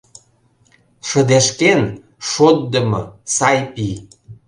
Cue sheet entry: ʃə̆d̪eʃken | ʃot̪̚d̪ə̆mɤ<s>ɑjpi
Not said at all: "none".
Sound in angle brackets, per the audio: s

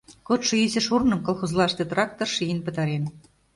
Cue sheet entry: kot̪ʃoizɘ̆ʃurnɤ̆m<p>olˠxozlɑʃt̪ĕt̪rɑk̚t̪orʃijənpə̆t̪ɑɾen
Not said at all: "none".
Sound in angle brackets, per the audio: k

